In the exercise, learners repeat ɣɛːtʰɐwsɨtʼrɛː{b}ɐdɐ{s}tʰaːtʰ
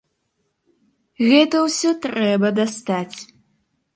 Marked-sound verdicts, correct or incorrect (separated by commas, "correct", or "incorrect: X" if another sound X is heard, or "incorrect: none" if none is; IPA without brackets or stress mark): correct, correct